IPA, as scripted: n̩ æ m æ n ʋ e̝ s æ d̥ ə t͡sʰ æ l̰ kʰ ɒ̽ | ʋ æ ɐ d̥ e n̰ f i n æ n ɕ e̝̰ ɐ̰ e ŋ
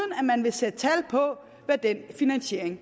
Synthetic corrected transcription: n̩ æ m æ n ʋ e̝ s e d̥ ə t͡sʰ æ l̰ pʰ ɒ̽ | ʋ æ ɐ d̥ e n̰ f i n æ n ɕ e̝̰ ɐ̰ e ŋ